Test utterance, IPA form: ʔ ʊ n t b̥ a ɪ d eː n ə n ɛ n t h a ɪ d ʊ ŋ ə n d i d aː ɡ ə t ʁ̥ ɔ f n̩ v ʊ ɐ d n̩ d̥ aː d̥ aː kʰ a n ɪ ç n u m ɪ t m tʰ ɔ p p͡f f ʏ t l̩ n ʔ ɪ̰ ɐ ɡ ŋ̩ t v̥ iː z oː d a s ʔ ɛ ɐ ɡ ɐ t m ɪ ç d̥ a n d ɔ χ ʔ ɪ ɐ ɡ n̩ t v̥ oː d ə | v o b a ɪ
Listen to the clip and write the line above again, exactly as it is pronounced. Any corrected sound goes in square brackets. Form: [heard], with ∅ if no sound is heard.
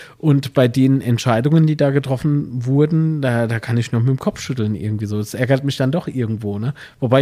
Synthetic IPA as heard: ʔ ʊ n t b̥ a ɪ d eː n ə n ɛ n t [ʃ] a ɪ d ʊ ŋ ə n d [iː] d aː ɡ ə t ʁ̥ ɔ f n̩ v ʊ ɐ d n̩ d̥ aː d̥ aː kʰ a n ɪ ç n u m ɪ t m [kʰ] ɔ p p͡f [ʃ] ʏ t l̩ n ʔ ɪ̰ ɐ ɡ ŋ̩ t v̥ iː z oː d a s ʔ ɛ ɐ ɡ ɐ t m ɪ ç d̥ a n d ɔ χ ʔ ɪ ɐ ɡ [ŋ̩] t v̥ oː [n] ə | v o b a ɪ